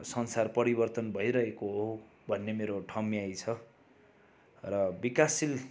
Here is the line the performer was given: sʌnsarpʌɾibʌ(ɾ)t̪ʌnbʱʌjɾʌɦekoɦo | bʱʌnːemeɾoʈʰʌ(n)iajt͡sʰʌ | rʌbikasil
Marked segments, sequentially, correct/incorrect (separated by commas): incorrect, incorrect